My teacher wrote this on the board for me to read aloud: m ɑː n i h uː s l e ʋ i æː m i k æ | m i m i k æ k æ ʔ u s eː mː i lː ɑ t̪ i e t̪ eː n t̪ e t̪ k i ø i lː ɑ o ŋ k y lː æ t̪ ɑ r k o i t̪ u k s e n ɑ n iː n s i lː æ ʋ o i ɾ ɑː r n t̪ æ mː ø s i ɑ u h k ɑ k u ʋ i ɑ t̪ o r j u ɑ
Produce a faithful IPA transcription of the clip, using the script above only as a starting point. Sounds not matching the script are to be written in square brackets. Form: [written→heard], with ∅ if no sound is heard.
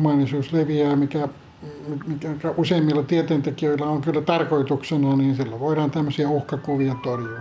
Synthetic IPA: m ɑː n i [h→s] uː s l e ʋ i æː m i k æ | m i m i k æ k æ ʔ u s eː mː i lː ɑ t̪ i e t̪ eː n t̪ e [t̪→∅] k i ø i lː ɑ o ŋ k y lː æ t̪ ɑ r k o i t̪ u k s e n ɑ n iː n s i lː æ ʋ o i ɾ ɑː [r→∅] n t̪ æ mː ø s i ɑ u h k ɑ k u ʋ i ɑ t̪ o r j u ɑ